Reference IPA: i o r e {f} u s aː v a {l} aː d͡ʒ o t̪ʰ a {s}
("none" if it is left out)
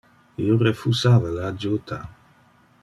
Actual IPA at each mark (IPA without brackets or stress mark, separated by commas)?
f, l, none